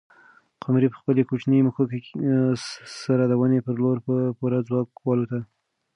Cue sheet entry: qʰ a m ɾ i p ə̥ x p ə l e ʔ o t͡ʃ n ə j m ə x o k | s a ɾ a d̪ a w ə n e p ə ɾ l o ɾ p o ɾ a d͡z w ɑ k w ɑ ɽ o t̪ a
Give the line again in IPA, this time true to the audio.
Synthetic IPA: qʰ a m ɾ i p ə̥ x p ə l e k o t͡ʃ n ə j m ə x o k | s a ɾ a d̪ a w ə n e p ə ɾ l o ɾ p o ɾ a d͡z w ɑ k w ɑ l o t̪ a